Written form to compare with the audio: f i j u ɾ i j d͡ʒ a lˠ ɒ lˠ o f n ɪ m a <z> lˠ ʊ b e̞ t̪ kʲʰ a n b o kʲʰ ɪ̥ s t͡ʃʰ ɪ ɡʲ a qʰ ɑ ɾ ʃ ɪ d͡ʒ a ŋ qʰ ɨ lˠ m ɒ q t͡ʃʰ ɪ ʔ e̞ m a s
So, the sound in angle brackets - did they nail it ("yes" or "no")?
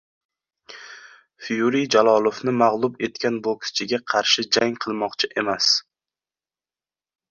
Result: no